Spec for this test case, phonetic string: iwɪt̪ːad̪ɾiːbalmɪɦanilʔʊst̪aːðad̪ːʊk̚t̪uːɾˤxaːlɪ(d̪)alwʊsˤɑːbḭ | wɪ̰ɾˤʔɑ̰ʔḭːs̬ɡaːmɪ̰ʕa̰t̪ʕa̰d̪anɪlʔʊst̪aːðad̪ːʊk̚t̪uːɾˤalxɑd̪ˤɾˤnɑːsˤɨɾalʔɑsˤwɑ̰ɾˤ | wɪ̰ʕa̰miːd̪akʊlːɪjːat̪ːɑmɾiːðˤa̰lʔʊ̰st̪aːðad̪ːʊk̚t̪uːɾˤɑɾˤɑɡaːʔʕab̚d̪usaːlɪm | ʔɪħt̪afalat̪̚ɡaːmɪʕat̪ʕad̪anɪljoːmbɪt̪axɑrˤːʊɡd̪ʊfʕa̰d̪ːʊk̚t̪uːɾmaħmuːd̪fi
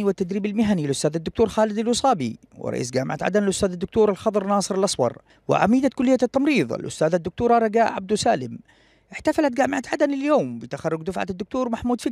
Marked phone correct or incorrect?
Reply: correct